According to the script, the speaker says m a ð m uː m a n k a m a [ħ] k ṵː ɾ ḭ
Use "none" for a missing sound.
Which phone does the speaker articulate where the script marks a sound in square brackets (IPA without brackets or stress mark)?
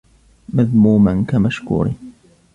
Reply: ʃ